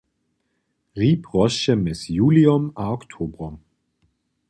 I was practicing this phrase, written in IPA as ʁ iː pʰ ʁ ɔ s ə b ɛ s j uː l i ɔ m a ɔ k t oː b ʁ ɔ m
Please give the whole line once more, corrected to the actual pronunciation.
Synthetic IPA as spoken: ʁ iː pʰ ʁ ɔ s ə m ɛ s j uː l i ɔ m a ɔ k tʰ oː b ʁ ɔ m